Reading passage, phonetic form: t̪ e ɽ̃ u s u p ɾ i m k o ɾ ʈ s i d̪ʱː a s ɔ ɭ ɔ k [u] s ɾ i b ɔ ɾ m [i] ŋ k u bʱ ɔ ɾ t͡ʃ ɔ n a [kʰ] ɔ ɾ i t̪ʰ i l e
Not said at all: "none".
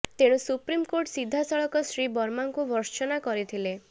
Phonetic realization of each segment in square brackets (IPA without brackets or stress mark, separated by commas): ɔ, a, k